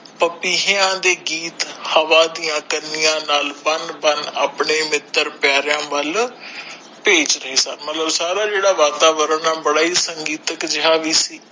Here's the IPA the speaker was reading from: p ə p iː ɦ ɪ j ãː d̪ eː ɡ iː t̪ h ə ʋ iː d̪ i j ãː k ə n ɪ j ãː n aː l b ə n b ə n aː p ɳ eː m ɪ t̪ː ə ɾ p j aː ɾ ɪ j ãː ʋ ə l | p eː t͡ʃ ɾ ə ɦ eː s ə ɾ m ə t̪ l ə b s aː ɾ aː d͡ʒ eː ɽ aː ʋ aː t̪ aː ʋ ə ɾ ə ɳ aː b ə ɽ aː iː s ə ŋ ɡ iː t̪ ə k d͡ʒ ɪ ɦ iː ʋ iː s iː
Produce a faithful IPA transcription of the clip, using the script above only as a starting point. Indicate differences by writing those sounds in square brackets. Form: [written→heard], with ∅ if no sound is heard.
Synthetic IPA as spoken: p ə p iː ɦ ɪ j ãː d̪ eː ɡ iː t̪ h ə ʋ [iː→aː] d̪ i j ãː k ə n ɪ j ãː n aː l b ə n b ə n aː p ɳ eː m ɪ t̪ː ə ɾ p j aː ɾ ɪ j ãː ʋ ə l | p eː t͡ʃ ɾ ə ɦ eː s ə ɾ m ə t̪ l ə b s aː ɾ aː d͡ʒ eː ɽ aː ʋ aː t̪ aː ʋ ə ɾ ə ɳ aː b ə ɽ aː iː s ə ŋ ɡ iː t̪ ə k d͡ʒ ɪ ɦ [iː→aː] ʋ iː s iː

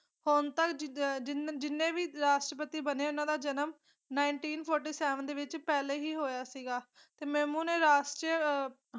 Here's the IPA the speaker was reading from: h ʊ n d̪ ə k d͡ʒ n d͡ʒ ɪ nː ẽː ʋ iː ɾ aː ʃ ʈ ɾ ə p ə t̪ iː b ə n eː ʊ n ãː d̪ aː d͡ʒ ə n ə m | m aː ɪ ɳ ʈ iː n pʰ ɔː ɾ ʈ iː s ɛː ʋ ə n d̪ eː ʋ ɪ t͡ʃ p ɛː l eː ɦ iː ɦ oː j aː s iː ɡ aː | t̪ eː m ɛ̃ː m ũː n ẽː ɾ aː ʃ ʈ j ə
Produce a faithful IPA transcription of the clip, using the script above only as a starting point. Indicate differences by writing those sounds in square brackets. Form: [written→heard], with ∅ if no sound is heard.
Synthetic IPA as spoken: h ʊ n [d̪→t̪] ə k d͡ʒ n d͡ʒ ɪ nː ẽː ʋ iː ɾ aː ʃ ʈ ɾ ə p ə t̪ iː b ə n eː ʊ n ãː d̪ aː d͡ʒ ə n ə m | [m→n] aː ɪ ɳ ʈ iː n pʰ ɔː ɾ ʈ iː s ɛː ʋ ə n d̪ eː ʋ ɪ t͡ʃ p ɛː l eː ɦ iː ɦ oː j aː s iː ɡ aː | t̪ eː m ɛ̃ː m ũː n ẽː ɾ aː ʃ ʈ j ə

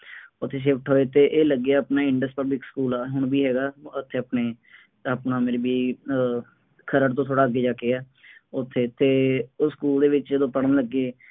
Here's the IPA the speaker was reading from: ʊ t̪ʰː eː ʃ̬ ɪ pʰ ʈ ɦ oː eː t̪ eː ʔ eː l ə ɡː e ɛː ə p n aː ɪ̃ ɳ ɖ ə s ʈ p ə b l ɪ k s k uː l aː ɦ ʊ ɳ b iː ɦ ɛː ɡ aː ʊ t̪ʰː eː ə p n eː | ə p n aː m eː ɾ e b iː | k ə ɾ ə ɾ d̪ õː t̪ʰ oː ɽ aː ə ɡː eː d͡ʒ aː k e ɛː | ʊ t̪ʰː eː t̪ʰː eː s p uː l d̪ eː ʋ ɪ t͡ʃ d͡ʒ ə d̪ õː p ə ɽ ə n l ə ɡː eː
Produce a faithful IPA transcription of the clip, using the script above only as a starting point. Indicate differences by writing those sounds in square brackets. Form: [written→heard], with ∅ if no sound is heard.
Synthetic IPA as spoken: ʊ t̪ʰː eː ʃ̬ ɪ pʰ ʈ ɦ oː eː t̪ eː ʔ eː l ə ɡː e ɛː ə p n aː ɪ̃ ɳ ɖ ə s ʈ p ə b l ɪ k s k uː l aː ɦ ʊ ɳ b iː ɦ ɛː ɡ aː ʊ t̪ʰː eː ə p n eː | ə p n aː m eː ɾ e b iː | [k→kʰ] ə ɾ ə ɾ [d̪→t̪] õː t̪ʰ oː ɽ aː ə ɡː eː d͡ʒ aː k e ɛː | ʊ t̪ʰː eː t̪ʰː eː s [p→k] uː l d̪ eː ʋ ɪ t͡ʃ d͡ʒ ə d̪ õː p ə ɽ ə n l ə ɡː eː

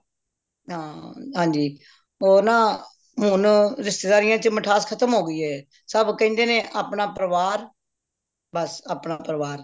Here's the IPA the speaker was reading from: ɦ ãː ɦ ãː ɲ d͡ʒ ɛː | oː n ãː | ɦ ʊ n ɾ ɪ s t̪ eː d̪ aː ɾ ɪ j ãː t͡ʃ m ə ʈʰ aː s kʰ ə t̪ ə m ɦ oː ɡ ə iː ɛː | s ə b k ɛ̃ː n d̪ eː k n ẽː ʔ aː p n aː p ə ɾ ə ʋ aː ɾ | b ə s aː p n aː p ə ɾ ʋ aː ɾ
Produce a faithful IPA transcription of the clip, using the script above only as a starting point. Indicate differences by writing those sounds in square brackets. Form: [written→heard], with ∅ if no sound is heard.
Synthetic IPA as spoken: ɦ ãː ɦ ãː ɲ d͡ʒ [ɛː→iː] | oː n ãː | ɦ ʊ n ɾ ɪ s t̪ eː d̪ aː ɾ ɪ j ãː t͡ʃ m ə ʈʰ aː s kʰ ə t̪ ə m ɦ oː ɡ ə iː ɛː | s ə b k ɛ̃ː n d̪ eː [k→∅] n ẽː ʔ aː p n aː p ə ɾ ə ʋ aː ɾ | b ə s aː p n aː p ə ɾ ʋ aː ɾ

